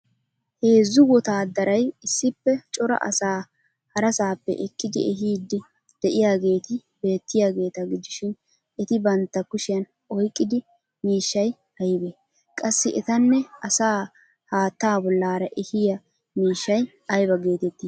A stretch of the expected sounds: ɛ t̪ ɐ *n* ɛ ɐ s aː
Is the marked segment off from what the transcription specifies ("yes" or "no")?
yes